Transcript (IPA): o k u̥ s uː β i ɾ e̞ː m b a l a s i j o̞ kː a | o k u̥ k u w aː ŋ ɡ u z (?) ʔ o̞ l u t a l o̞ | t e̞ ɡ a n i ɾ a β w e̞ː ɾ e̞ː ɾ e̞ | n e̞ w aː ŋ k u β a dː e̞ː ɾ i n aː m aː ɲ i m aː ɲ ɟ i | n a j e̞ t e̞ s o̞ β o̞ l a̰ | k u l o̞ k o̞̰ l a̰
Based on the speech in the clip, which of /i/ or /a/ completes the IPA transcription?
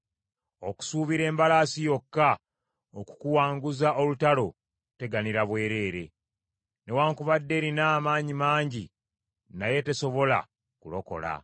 a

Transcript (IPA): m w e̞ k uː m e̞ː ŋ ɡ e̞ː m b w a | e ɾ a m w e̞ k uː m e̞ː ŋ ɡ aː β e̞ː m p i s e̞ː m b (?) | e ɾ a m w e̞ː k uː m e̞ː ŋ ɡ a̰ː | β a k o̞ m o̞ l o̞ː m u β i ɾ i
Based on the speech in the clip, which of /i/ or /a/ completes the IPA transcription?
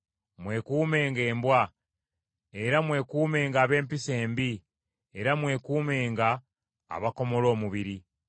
i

